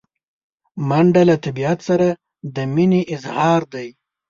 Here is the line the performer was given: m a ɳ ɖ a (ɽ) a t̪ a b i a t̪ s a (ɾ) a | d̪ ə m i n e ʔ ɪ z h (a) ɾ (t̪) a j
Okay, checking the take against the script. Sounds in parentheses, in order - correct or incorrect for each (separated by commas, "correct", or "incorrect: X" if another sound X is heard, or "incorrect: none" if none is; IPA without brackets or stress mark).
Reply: incorrect: l, correct, incorrect: ɑ, incorrect: d̪